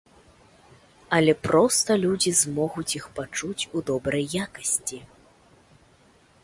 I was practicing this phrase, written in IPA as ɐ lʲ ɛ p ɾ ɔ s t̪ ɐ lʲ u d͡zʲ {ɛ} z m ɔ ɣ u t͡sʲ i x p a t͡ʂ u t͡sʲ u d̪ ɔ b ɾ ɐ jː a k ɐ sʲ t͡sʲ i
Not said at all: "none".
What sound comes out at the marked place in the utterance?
i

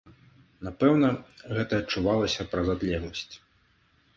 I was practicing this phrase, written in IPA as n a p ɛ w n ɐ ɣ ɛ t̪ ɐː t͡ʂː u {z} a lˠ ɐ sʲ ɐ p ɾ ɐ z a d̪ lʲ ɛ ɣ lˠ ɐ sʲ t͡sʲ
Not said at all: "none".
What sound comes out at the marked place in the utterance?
v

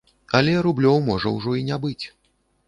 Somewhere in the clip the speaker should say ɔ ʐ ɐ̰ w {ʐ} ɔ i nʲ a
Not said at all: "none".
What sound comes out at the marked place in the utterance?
ʐ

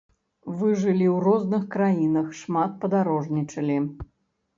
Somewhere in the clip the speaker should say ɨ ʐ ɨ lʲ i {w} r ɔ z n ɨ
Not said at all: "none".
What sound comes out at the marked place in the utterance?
w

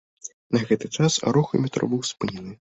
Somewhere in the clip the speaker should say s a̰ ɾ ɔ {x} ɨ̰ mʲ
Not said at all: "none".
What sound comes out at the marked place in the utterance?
x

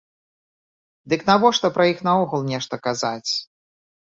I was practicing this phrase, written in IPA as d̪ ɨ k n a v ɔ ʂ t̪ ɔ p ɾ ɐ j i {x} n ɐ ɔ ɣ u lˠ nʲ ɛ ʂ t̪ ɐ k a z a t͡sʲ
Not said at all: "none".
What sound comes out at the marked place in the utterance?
x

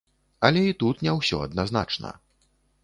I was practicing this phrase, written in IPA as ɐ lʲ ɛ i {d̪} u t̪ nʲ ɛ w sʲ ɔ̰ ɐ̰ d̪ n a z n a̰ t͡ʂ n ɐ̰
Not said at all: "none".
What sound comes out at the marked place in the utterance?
t̪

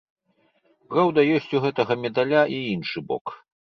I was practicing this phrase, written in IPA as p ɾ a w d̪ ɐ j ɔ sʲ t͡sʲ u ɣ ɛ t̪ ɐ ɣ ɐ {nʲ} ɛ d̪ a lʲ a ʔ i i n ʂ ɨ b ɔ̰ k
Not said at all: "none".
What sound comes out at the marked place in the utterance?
mʲ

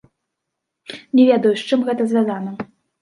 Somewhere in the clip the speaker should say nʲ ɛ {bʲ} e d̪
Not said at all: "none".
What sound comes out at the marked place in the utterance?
vʲ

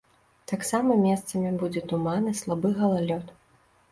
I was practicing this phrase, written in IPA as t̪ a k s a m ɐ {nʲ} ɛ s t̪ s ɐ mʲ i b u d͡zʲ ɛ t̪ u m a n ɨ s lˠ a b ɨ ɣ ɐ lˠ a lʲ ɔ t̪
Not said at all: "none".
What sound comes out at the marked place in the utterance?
mʲ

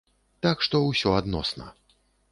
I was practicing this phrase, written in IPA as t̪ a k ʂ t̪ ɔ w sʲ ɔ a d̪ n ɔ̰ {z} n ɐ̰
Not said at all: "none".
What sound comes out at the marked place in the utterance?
s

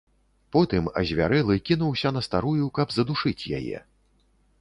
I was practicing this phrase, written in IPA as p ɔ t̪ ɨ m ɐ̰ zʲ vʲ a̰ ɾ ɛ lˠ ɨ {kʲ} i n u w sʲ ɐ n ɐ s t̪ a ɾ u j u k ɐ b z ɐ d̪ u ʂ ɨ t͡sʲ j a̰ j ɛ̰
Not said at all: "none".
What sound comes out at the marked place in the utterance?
kʲ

